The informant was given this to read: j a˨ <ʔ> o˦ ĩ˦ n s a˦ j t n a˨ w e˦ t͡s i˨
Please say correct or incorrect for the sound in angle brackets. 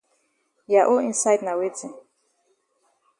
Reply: correct